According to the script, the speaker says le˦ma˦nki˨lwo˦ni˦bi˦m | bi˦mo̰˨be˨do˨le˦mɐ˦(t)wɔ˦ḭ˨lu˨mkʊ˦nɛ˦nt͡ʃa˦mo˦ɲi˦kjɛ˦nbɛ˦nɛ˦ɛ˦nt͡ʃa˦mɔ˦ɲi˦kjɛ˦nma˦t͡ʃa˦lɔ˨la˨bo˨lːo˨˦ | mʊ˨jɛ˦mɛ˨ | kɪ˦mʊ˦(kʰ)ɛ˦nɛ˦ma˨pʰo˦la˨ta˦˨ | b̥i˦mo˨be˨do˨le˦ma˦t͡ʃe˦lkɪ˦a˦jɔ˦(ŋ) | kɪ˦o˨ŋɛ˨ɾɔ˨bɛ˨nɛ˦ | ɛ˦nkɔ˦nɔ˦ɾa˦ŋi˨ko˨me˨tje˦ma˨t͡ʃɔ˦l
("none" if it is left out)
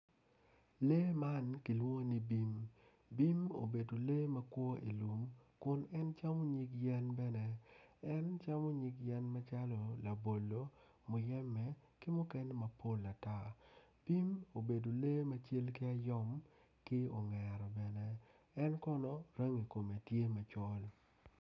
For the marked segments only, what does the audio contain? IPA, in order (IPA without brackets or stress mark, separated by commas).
k, k, m